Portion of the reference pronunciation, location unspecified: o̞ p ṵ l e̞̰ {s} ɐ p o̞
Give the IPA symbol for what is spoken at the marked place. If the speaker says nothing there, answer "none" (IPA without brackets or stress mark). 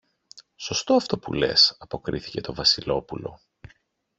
s